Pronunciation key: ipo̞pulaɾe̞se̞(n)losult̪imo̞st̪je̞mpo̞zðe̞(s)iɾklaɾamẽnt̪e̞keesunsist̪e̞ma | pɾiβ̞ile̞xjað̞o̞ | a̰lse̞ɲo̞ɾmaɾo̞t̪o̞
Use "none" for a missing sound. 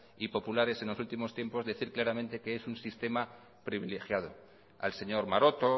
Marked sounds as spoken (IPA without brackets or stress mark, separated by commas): n, θ